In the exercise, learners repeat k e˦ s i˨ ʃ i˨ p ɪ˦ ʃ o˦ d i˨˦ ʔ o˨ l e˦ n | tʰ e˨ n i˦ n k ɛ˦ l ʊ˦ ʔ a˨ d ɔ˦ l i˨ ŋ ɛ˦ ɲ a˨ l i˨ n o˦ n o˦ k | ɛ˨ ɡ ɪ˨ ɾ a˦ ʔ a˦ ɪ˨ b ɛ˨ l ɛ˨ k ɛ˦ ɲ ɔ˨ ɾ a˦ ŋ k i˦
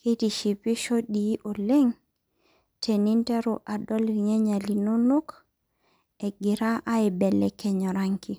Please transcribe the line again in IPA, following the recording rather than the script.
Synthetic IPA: k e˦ t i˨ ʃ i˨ p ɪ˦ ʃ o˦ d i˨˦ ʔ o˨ l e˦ ŋ | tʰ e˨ n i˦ n t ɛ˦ ɾ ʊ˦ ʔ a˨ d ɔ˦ l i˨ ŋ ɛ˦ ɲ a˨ l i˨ n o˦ n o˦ k | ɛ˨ ɡ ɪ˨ ɾ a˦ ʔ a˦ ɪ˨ b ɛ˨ l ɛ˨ k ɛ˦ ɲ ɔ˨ ɾ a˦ ŋ k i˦